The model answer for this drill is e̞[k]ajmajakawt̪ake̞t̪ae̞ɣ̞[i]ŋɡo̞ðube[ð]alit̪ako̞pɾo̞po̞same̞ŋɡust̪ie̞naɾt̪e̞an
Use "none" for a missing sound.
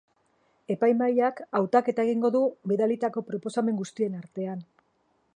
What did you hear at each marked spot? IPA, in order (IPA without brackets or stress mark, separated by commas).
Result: p, i, ð